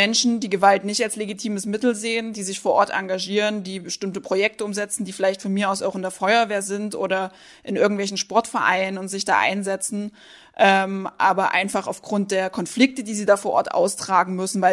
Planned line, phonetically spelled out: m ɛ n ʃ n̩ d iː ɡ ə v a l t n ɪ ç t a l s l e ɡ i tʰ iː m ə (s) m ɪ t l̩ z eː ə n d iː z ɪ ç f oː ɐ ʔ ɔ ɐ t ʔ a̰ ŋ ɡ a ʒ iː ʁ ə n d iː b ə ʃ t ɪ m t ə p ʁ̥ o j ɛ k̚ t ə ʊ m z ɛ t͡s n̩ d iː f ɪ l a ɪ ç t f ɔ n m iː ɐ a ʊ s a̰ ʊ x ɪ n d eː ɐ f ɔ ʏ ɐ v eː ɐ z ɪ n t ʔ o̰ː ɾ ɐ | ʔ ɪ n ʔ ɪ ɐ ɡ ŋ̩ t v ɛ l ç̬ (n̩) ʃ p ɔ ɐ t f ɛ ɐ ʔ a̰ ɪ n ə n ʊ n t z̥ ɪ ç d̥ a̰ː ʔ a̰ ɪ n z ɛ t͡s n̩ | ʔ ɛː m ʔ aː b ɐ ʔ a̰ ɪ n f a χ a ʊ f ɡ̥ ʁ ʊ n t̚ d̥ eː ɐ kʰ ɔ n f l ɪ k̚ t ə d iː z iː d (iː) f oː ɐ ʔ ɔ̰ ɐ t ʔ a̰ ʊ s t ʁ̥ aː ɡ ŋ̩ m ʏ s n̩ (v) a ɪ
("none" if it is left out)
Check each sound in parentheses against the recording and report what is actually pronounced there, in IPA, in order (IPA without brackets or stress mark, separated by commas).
s, n̩, aː, v